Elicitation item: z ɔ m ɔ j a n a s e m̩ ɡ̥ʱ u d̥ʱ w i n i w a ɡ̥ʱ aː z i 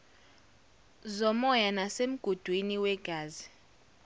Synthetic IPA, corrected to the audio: z ɔ m ɔ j a n a s e m̩ ɡ̥ʱ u d̥ʱ w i n i w ɛ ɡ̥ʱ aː z i